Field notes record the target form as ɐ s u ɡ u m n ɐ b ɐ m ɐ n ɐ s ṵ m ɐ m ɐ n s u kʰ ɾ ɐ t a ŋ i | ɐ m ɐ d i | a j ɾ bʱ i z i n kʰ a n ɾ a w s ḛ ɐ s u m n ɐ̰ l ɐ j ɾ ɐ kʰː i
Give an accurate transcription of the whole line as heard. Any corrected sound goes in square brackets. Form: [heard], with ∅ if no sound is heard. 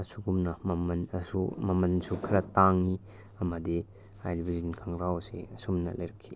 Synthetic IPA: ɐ s u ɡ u m n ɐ [m] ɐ m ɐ n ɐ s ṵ m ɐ m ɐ n s u kʰ ɾ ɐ t a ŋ i | ɐ m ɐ d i | a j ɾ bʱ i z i n kʰ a [ŋ] ɾ a w s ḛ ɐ s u m n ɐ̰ l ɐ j ɾ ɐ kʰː i